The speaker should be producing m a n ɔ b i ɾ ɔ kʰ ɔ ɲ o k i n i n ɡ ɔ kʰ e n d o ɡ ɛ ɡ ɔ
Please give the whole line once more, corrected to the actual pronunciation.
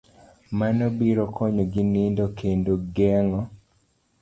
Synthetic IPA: m a n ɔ b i ɾ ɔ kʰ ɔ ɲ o ɡ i n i n d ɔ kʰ e n d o ɡ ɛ ŋ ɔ